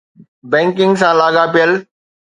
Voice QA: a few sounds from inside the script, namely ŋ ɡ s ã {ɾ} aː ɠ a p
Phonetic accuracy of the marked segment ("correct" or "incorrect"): incorrect